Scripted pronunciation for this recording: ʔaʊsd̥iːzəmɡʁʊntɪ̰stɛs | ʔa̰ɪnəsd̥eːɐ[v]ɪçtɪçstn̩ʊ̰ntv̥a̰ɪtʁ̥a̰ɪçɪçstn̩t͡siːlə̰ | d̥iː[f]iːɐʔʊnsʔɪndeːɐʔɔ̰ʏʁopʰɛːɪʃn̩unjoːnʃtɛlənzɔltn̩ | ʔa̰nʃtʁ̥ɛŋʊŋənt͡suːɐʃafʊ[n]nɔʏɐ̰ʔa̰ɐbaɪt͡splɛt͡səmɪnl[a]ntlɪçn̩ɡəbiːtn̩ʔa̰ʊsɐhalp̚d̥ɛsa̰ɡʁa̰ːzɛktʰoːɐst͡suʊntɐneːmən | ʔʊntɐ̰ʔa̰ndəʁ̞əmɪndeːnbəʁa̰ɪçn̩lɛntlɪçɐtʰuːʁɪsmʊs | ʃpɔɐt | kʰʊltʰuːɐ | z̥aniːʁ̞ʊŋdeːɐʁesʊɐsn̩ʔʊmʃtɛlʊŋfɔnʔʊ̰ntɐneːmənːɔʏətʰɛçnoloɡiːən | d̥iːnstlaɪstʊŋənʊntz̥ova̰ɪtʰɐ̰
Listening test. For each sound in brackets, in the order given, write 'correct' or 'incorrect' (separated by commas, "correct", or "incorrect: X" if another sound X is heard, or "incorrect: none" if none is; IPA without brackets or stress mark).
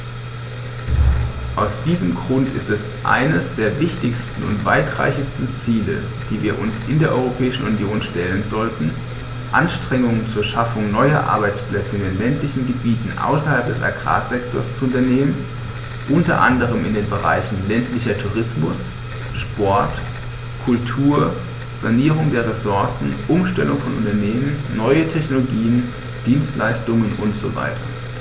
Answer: correct, incorrect: v, incorrect: ŋ, incorrect: ɛ